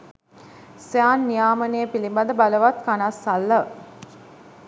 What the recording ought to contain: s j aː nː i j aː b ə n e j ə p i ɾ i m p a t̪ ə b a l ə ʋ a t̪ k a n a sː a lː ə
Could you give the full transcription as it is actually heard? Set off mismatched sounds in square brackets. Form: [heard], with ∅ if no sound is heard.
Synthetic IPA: s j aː nː i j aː [m] ə n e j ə p i [l] i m [b] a [d̪] ə b a l ə ʋ a t̪ k a n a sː a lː ə